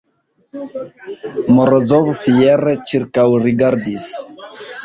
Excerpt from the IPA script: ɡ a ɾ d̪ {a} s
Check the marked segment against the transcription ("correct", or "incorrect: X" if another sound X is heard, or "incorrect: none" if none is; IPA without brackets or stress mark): incorrect: i